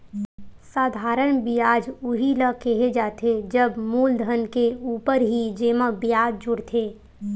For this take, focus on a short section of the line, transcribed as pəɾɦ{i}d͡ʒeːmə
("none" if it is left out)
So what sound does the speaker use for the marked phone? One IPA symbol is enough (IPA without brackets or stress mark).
i